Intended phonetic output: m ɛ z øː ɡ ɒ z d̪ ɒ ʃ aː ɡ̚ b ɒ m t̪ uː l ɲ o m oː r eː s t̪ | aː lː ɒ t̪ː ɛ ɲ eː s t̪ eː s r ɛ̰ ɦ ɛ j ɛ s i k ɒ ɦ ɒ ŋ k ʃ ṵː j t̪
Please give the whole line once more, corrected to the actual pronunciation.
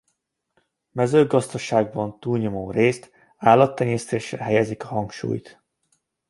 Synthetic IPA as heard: m ɛ z øː ɡ ɒ z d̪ ɒ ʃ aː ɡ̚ b ɒ n t̪ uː l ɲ o m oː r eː s t̪ | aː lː ɒ t̪ː ɛ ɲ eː s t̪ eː ʃ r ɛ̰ ɦ ɛ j ɛ z i k ɒ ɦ ɒ ŋ k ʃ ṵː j t̪